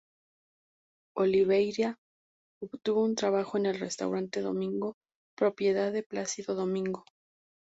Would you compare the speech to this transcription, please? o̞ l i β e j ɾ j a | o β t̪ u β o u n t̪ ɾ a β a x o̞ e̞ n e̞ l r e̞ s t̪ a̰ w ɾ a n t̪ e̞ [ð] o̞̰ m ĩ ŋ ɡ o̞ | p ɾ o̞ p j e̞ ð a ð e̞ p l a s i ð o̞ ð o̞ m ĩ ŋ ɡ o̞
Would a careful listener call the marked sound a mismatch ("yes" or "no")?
no